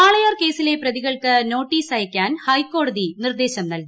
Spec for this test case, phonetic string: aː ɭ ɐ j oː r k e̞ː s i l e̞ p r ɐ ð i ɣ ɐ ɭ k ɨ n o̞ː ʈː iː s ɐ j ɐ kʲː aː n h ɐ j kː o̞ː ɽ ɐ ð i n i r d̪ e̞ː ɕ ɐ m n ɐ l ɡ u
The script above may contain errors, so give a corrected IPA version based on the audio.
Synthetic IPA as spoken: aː ɭ ɐ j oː r k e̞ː s i l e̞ p r ɐ ð i ɣ ɐ ɭ k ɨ n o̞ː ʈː iː s ɐ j ɐ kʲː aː n h ɐ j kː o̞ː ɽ ɐ ð i n i r d̪ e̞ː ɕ ɐ m n ɐ l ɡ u